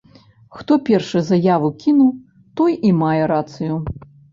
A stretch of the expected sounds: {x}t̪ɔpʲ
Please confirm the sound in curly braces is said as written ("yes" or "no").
yes